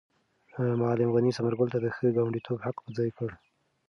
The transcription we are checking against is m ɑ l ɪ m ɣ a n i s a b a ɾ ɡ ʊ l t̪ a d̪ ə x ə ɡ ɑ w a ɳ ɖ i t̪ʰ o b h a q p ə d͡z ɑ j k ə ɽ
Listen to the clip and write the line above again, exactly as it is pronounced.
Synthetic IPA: m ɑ l ɪ m ɣ a n i s a m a ɾ ɡ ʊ l t̪ a d̪ ə x ə ɡ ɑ w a ɳ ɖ i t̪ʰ o b h a q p ə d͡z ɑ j k ə ɽ